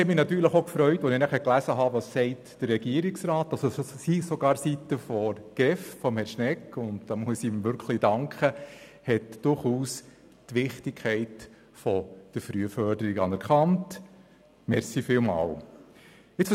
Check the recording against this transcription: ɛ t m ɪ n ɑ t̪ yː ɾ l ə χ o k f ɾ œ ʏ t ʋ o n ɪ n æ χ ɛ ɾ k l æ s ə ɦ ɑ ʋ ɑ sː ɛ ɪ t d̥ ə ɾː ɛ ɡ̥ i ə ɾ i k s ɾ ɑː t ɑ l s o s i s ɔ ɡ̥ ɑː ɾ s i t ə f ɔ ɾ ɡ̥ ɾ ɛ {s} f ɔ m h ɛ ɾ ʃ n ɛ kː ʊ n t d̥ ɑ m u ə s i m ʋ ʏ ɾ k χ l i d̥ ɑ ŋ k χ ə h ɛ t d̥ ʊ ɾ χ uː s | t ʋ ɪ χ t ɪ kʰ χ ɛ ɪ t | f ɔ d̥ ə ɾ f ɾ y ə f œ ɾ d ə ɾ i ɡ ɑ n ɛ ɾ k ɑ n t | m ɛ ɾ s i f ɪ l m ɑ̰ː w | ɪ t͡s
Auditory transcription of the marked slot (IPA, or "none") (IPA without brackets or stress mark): f